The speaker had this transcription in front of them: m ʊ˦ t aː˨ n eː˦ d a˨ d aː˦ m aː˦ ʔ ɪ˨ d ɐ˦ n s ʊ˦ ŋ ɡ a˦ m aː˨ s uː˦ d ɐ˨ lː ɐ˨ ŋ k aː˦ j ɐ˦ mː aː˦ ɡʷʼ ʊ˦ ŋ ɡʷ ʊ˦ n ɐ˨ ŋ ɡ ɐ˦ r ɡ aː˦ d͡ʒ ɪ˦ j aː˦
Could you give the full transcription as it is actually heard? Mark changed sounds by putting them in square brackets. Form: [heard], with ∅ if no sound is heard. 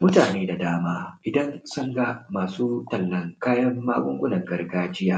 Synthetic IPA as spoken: m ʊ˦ t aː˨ n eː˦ d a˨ d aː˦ m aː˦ ʔ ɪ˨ d ɐ˦ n s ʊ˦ ŋ ɡ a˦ m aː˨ s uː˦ [t] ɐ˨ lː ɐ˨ ŋ k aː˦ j ɐ˦ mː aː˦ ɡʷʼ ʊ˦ ŋ ɡʷ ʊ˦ n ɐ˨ ŋ ɡ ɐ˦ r ɡ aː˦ d͡ʒ ɪ˦ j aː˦

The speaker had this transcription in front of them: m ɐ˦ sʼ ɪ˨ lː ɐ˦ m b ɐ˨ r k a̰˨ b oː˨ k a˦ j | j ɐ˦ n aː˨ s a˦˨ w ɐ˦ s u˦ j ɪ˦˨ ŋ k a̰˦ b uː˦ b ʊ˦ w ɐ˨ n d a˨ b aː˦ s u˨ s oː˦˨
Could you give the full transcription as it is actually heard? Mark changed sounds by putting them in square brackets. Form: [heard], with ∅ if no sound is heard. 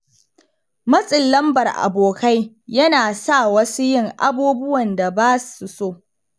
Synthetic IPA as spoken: m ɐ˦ sʼ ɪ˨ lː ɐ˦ m b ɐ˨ r [ʔ] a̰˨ b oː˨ k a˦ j | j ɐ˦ n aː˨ s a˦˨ w ɐ˦ s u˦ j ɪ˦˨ ŋ [ʔ] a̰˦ b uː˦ b ʊ˦ w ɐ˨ n d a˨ b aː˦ s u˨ s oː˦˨

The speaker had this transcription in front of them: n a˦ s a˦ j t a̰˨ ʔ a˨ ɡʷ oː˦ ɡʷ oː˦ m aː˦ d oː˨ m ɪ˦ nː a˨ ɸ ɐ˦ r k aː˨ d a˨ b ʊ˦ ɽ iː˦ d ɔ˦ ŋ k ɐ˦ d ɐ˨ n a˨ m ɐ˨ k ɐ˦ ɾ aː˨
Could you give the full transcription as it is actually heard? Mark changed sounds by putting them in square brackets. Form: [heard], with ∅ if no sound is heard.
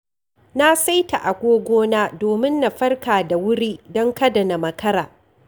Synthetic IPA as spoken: n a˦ s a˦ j t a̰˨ ʔ a˨ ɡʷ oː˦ ɡʷ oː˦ [n] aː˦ d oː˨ m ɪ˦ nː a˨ ɸ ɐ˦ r k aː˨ d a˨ [w] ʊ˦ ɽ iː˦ d ɔ˦ ŋ k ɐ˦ d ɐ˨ n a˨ m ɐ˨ k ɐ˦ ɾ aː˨

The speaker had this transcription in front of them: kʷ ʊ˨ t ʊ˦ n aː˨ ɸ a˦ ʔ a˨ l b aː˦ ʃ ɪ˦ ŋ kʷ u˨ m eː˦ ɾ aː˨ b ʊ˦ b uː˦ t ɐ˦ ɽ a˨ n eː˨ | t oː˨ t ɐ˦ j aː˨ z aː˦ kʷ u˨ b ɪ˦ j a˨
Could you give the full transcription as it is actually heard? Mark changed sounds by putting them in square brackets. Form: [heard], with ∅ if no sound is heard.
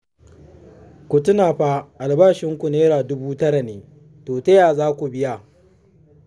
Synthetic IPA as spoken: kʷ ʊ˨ t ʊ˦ n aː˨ ɸ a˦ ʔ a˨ l b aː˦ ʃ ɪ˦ ŋ kʷ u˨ [n] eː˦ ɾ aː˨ [d] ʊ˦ b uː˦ t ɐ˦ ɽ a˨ n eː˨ | t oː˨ t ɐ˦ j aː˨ z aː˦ kʷ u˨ b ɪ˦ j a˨

